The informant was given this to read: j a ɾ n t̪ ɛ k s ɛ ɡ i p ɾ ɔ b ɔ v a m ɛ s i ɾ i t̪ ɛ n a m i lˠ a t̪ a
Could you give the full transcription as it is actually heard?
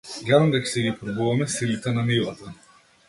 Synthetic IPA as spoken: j a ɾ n d̪ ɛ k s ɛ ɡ i p ɾ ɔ b u v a m ɛ s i l i t̪ ɛ n a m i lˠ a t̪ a